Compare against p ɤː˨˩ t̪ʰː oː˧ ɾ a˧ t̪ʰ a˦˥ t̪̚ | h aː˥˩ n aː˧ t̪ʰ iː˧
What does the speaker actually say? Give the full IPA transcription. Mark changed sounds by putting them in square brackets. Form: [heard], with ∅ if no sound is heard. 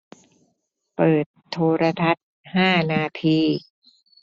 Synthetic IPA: p ɤː˨˩ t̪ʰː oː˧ ɾ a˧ t̪ʰ a˦˥ t̪̚ | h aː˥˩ n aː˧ t̪ʰ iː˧